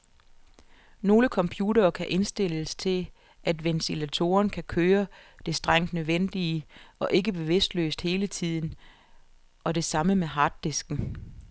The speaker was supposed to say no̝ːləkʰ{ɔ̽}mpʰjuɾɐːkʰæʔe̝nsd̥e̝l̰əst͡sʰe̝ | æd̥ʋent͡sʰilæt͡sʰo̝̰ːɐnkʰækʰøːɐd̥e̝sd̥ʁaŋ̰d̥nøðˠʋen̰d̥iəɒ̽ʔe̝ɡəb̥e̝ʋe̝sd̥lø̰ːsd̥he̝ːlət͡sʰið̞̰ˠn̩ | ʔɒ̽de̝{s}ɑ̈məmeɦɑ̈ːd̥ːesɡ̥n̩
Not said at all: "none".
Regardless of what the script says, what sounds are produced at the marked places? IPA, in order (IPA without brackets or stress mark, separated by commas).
ɒ̽, s